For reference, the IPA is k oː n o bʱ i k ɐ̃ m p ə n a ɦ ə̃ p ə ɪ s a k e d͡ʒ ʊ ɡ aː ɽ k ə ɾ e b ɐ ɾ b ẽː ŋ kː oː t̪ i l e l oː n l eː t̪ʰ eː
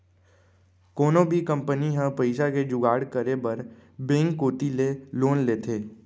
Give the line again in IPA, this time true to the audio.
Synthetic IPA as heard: k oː n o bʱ i k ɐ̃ m p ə n i ɦ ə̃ p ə ɪ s a k e d͡ʒ ʊ ɡ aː ɽ k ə ɾ e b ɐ ɾ b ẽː ŋ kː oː t̪ i l e l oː n l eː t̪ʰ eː